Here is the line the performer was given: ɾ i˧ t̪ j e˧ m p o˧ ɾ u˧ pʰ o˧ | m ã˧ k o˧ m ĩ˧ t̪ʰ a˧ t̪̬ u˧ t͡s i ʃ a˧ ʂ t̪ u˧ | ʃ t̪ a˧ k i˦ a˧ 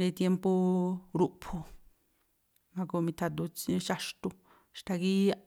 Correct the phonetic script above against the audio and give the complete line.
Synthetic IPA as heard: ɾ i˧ t̪ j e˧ m p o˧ ɾ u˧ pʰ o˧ | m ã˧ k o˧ m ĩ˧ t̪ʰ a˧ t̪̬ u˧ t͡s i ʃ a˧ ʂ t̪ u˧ | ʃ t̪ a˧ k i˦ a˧